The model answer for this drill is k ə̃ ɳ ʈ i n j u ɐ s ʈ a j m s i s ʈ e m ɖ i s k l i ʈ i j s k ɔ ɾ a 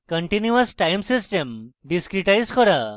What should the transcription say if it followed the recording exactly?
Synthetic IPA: k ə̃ ɳ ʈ i n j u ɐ s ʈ a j m s i s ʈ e m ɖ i s k ɾ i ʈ a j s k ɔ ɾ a